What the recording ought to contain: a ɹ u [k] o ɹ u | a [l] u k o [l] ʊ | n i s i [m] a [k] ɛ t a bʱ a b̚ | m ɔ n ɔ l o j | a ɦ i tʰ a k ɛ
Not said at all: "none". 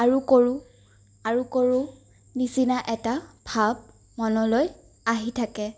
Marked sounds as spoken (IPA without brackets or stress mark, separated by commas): k, ɹ, ɹ, n, ʔ